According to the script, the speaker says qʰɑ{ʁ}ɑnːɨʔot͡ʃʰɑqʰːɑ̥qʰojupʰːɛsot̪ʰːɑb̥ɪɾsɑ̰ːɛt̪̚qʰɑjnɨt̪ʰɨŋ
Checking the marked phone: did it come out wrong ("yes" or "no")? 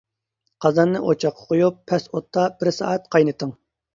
yes